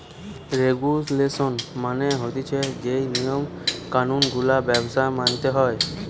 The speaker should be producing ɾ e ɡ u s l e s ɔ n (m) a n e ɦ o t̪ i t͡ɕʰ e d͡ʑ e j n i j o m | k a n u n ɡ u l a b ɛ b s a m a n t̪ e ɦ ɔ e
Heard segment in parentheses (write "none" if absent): m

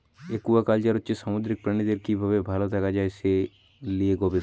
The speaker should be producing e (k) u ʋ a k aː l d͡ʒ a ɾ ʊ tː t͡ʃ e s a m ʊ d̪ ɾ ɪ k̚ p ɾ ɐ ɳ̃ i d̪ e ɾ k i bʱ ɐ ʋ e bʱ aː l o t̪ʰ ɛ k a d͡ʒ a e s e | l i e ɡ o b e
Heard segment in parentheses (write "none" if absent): k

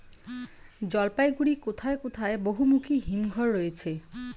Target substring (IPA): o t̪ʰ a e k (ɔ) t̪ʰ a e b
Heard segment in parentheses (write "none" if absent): o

